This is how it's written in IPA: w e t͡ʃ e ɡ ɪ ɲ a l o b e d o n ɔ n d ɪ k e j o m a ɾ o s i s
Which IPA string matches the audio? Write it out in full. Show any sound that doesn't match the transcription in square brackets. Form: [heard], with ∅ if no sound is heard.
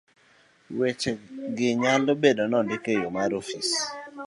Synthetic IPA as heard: w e t͡ʃ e ɡ ɪ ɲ a l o b e d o n ɔ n d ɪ k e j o m a ɾ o [f] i s